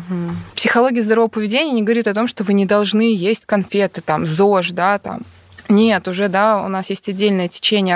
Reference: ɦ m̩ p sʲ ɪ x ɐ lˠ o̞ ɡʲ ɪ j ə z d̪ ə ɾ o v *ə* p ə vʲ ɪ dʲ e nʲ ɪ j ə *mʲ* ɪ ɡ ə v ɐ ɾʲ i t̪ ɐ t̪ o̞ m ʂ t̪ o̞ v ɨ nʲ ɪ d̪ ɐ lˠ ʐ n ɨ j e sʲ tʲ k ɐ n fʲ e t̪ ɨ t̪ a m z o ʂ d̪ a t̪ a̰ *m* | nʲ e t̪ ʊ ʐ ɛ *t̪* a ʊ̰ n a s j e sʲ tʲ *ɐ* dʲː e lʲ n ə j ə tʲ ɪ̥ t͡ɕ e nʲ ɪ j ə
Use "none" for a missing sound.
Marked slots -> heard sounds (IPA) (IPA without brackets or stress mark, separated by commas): ə, nʲ, m, d̪, ɐ